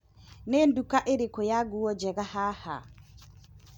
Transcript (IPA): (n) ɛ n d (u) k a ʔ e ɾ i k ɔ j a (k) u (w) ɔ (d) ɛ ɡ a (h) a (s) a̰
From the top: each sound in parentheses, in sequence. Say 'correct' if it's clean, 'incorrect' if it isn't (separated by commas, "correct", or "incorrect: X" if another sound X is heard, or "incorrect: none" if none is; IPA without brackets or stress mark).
correct, correct, incorrect: ɡ, correct, incorrect: d͡ʒ, correct, incorrect: h